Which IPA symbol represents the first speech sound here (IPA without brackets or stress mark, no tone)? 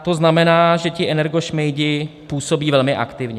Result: t̪